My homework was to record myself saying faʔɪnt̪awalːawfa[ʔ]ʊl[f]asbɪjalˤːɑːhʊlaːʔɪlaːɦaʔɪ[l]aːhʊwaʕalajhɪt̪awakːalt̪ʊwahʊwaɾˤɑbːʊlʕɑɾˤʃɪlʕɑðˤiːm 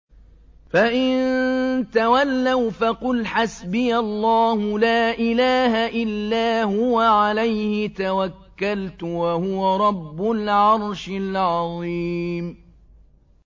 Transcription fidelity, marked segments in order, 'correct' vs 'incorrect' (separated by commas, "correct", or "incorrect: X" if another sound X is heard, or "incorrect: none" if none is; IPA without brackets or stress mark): incorrect: q, incorrect: ħ, incorrect: lː